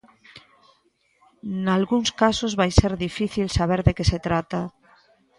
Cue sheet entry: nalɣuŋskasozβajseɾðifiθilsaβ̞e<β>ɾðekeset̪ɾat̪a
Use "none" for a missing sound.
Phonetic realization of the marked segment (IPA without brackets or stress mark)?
none